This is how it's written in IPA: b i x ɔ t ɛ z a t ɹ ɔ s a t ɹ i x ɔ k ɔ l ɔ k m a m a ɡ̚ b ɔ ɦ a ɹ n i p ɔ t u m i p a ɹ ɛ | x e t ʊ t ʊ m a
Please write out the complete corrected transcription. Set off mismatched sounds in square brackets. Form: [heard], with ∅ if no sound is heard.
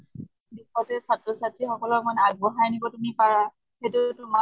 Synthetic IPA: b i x ɔ t ɛ [s] a t ɹ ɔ s a t ɹ i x ɔ k ɔ l ɔ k m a [n] a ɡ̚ b ɔ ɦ a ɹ n i [b] ɔ t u m i p a ɹ [a] | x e t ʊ t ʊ m a